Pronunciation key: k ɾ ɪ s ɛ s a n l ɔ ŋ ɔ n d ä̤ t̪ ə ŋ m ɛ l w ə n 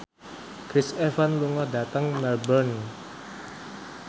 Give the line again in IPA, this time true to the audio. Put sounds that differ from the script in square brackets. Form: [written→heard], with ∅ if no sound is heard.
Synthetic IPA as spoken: k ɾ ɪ s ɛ [s→f] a n l [ɔ→u] ŋ ɔ [n→∅] d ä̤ t̪ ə ŋ m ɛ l [w→b] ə n